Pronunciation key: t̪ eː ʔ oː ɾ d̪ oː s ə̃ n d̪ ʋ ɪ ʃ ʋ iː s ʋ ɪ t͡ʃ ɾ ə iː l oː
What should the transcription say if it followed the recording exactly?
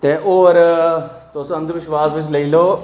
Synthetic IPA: t̪ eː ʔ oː ɾ t̪ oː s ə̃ n d̪ ʋ ɪ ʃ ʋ aː s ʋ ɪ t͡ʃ l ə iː l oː